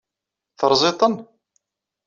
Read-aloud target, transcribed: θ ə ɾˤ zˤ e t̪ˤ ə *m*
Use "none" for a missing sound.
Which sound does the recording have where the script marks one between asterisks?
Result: n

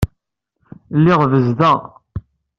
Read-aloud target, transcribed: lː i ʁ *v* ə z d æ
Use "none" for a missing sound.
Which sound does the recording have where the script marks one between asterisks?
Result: v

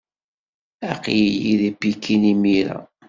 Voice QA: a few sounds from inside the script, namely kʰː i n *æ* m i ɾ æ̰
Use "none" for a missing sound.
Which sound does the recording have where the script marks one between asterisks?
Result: i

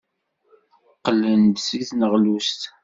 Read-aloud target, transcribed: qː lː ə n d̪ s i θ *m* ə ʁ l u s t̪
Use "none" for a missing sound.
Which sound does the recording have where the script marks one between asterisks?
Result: n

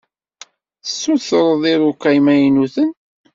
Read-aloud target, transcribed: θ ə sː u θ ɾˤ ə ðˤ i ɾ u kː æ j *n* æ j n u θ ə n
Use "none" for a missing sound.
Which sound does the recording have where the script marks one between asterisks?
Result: m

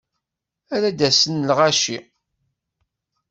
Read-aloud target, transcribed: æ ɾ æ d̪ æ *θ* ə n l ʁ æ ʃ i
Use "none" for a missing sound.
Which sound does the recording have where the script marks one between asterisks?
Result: s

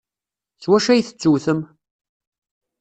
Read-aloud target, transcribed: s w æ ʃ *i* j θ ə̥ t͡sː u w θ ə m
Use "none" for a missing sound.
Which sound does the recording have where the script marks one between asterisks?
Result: æ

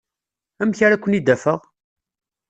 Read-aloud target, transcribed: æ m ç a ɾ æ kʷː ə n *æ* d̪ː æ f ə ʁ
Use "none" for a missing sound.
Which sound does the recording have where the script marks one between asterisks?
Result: i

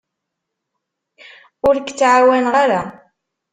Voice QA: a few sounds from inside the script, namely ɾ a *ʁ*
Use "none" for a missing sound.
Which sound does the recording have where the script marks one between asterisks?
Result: none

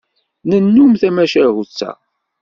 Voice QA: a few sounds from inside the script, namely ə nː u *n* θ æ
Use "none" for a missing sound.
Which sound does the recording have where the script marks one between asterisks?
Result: m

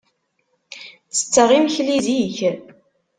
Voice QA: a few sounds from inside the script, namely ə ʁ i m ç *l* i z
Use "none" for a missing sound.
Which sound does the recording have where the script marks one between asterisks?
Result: l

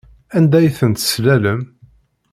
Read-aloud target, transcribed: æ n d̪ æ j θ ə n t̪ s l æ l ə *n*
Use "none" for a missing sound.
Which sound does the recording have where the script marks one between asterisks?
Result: m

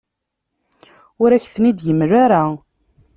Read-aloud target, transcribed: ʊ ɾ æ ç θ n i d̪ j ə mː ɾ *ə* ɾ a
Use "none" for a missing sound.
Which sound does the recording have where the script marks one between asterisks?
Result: a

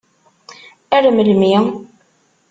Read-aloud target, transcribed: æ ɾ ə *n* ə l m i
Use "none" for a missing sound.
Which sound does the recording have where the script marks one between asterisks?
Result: m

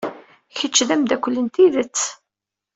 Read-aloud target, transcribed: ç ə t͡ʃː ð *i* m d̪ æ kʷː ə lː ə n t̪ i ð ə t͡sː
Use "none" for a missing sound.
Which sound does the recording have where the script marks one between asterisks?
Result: æ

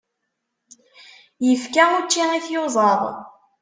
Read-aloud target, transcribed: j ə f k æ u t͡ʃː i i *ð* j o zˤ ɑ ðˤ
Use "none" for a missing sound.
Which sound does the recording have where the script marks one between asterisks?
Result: θ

